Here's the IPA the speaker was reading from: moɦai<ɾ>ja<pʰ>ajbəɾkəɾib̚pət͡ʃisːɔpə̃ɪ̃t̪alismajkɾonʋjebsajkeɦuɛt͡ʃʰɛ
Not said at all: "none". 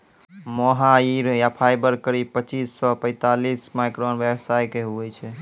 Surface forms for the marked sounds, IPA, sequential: ɾ, pʰ

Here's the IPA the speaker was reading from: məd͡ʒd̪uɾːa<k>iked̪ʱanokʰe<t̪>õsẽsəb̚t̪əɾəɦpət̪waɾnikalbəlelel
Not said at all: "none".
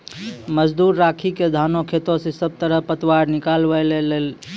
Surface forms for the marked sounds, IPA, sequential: kʰ, t̪

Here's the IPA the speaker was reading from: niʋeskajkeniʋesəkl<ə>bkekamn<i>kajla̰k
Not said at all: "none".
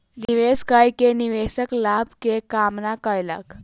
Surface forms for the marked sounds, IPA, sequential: a, a

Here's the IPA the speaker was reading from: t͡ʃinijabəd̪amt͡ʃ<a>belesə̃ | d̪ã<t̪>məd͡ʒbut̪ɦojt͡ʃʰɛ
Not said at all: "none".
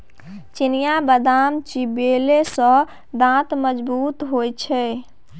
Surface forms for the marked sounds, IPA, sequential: i, t̪

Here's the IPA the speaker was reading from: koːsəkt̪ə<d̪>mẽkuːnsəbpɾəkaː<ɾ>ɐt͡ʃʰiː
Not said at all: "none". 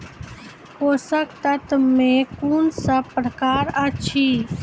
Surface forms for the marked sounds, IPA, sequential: t̪, ɾ

